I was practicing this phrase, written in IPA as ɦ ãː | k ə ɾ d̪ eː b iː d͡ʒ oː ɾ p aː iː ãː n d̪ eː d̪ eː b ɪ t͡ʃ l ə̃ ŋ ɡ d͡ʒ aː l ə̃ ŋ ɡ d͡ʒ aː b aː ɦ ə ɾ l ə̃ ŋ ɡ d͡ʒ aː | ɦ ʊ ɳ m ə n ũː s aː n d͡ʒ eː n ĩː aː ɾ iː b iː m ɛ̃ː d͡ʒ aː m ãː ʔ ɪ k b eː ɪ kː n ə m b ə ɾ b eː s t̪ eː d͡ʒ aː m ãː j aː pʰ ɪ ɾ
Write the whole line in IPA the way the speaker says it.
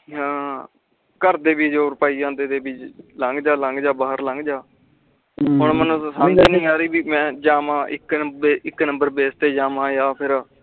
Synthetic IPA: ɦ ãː | k ə ɾ d̪ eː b iː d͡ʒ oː ɾ p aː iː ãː n d̪ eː d̪ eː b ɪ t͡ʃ l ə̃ ŋ ɡ d͡ʒ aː l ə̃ ŋ ɡ d͡ʒ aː b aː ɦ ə ɾ l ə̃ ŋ ɡ d͡ʒ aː | ɦ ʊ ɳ m ə n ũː s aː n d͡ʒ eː n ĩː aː ɾ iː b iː m ɛ̃ː d͡ʒ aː m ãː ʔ ɪ k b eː ɪ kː n ə m b ə ɾ b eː s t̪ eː d͡ʒ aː m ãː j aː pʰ ɪ ɾ